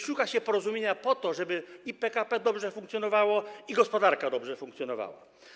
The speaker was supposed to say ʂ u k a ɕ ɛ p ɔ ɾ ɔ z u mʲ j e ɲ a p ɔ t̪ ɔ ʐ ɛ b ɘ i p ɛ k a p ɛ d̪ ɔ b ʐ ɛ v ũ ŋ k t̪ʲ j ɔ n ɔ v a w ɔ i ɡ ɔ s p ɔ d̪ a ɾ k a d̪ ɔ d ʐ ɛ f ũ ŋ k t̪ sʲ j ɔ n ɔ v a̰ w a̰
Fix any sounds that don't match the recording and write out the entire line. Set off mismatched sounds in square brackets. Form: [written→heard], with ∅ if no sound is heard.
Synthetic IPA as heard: ʂ u k a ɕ ɛ p ɔ ɾ ɔ z u mʲ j e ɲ a p ɔ t̪ ɔ ʐ ɛ b ɘ i p ɛ k a p ɛ d̪ ɔ b ʐ ɛ [v→f] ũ ŋ k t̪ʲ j ɔ n ɔ v a w ɔ i ɡ ɔ s p ɔ d̪ a ɾ k a d̪ ɔ [d→b] ʐ ɛ f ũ ŋ k t̪ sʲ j ɔ n ɔ v a̰ w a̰